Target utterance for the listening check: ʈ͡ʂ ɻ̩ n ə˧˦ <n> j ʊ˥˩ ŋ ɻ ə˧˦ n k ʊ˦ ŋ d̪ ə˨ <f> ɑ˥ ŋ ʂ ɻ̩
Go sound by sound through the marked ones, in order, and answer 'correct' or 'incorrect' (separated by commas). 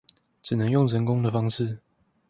incorrect, correct